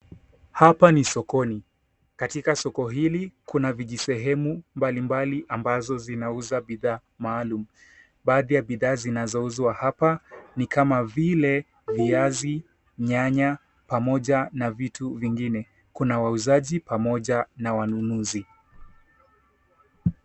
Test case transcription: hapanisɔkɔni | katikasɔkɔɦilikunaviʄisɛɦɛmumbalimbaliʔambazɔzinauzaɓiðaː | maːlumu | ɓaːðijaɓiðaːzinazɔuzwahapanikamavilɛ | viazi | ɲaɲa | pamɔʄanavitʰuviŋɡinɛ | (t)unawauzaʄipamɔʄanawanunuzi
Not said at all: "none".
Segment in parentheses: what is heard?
k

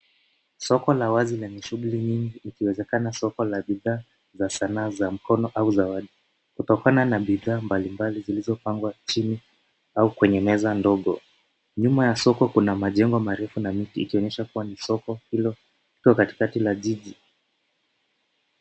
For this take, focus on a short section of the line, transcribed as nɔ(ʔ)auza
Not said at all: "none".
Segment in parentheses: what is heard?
ʔ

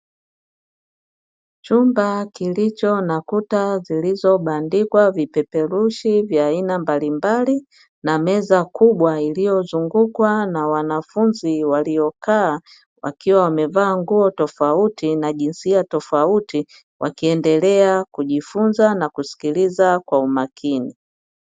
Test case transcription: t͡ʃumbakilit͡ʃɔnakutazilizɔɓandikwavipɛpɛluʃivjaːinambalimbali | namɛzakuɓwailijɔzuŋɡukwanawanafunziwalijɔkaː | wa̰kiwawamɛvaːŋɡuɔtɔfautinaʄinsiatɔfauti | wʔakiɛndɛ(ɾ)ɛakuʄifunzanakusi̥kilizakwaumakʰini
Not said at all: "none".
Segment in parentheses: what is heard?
l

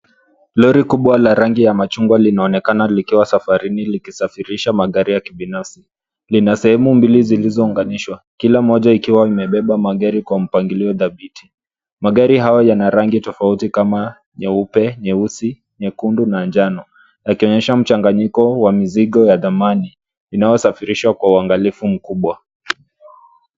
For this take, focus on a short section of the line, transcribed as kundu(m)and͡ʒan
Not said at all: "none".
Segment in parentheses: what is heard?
n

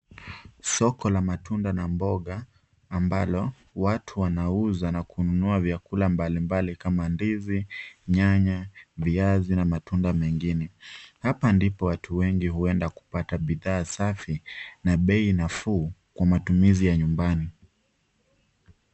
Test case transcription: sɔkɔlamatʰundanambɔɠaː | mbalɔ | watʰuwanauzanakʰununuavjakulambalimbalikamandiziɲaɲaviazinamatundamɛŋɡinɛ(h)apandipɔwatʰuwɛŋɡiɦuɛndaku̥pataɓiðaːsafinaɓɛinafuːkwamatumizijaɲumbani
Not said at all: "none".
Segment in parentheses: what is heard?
h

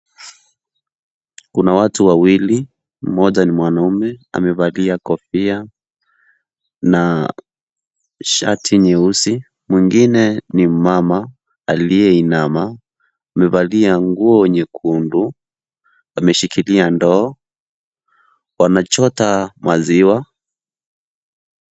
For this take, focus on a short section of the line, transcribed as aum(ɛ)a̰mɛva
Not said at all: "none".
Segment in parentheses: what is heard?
ɛ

